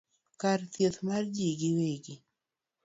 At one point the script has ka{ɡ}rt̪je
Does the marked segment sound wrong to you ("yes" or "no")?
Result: yes